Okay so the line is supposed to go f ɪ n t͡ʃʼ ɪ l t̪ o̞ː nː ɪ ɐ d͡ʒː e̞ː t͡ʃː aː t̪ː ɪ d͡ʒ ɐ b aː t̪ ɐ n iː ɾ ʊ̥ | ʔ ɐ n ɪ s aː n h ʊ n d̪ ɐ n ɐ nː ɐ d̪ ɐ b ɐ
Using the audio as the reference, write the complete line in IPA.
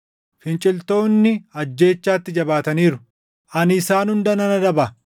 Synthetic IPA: f ɪ n t͡ʃʼ ɪ l t̪ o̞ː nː ɪ ɐ d͡ʒː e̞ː t͡ʃː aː t̪ː ɪ d͡ʒ ɐ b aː t̪ ɐ n iː ɾ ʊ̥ | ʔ ɐ n ɪ s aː n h ʊ n d̪ ɐ n ɐ n ɐ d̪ ɐ b ɐ

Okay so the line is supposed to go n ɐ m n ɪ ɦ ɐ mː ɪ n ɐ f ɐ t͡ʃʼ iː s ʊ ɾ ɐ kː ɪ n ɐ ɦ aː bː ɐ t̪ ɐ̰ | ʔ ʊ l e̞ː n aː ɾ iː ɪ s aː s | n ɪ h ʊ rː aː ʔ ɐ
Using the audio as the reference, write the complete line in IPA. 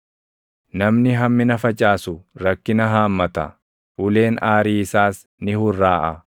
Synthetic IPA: n ɐ m n ɪ ɦ ɐ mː ɪ n ɐ f ɐ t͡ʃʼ aː s ʊ ɾ ɐ kː ɪ n ɐ ɦ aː mː ɐ t̪ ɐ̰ | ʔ ʊ l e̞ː n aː ɾ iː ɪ s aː s | n ɪ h ʊ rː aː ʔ ɐ

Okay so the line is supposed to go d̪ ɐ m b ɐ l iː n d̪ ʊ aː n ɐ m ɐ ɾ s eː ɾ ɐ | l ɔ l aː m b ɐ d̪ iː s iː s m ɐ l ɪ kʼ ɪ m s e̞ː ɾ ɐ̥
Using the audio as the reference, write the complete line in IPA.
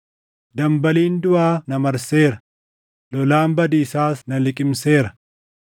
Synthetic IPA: d̪ ɐ m b ɐ l iː n d̪ ʊ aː n ɐ m ɐ ɾ s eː ɾ ɐ | l ɔ l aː m b ɐ d̪ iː s aː s n ɐ l ɪ kʼ ɪ m s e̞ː ɾ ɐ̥

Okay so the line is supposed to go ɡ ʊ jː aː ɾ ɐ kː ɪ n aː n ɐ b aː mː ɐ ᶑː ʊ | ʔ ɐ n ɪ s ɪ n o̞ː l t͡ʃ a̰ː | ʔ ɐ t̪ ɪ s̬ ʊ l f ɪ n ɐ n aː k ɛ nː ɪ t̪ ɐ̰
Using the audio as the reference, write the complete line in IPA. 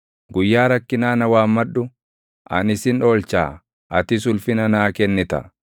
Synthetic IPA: ɡ ʊ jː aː ɾ ɐ kː ɪ n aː n ɐ w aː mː ɐ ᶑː ʊ | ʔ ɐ n ɪ s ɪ n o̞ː l t͡ʃ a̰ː | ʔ ɐ t̪ ɪ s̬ ʊ l f ɪ n ɐ n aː k ɛ nː ɪ t̪ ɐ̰

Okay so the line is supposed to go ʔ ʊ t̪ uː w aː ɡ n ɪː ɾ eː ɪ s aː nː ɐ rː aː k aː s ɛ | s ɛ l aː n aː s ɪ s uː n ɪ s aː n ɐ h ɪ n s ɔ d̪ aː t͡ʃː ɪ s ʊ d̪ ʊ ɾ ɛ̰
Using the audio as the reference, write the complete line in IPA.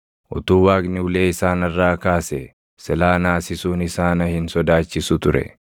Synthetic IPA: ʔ ʊ t̪ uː w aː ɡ n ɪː l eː ɪ s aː n ɐ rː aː k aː s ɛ | s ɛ l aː n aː s ɪ s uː n ɪ s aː n ɐ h ɪ n s ɔ d̪ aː t͡ʃː ɪ s ʊ t̪ ʊ ɾ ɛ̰

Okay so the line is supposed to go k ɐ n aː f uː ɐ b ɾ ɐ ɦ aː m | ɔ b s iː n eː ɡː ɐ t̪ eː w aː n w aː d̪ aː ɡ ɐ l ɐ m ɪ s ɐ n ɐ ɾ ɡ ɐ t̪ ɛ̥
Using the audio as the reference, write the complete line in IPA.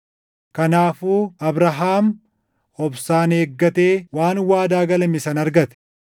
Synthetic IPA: k ɐ n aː f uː ɐ b ɾ ɐ ɦ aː m | ɔ b s aː n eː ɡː ɐ t̪ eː w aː n w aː d̪ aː ɡ ɐ l ɐ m ɪ s ɐ n ɐ ɾ ɡ ɐ t̪ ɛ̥

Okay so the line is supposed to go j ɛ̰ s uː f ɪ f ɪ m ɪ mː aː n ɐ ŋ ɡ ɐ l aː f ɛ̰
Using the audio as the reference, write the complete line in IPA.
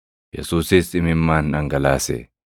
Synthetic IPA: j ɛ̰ s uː s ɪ s ɪ m ɪ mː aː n ɐ ŋ ɡ ɐ l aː s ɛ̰

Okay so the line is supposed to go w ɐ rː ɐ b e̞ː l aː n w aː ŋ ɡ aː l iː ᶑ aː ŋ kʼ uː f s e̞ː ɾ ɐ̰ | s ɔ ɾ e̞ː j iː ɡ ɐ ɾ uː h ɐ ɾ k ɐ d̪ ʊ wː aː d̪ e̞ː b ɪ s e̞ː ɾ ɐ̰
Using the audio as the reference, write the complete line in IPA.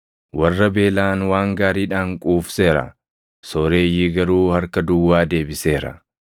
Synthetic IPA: w ɐ rː ɐ b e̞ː l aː n w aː ŋ ɡ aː ɾ iː ᶑ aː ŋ kʼ uː f s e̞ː ɾ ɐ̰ | s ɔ ɾ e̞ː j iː ɡ ɐ ɾ uː h ɐ ɾ k ɐ d̪ ʊ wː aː d̪ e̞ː b ɪ s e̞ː ɾ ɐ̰

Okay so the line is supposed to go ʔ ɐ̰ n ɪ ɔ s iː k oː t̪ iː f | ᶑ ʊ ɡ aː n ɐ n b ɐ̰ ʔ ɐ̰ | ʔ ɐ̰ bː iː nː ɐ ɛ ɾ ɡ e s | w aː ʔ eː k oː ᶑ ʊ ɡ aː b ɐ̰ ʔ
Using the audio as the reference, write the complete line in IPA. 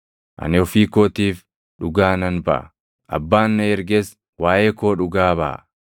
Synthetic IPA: ʔ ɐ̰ n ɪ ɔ f iː k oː t̪ iː f | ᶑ ʊ ɡ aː n ɐ n b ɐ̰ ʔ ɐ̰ | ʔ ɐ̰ bː aː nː ɐ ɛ ɾ ɡ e s | w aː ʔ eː k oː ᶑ ʊ ɡ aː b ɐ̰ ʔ

